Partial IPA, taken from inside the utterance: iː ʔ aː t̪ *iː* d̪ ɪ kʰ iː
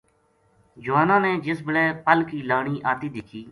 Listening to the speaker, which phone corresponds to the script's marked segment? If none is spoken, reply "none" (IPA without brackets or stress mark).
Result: iː